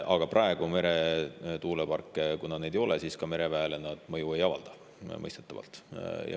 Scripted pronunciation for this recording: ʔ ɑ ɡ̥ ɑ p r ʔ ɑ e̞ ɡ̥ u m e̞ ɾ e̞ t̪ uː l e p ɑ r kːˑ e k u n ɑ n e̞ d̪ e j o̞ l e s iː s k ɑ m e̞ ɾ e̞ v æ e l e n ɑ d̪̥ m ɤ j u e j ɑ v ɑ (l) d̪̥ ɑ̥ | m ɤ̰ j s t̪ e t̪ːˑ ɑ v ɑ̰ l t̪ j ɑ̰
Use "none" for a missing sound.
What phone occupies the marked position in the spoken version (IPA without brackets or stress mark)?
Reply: l